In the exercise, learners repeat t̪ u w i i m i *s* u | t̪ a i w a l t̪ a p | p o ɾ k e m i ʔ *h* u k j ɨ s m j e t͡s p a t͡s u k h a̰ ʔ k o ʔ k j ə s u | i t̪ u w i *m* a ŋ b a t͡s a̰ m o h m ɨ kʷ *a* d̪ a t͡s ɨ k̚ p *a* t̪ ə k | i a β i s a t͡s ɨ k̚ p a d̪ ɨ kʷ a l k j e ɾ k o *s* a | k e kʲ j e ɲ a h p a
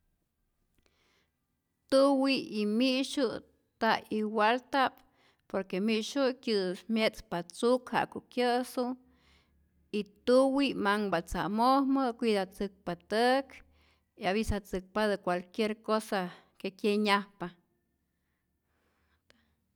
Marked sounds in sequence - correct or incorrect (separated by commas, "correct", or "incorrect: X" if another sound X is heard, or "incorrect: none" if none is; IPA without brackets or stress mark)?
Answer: incorrect: ʃ, incorrect: ʃ, correct, incorrect: i, correct, correct